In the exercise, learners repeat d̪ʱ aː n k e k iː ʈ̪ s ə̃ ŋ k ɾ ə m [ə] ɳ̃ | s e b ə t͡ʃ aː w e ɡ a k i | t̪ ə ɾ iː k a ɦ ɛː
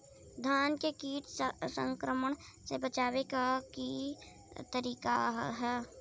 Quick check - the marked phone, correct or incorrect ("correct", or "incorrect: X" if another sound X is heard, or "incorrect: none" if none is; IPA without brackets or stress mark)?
correct